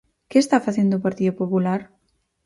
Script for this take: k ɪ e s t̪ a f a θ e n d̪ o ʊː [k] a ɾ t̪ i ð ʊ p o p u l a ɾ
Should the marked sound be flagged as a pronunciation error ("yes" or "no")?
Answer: yes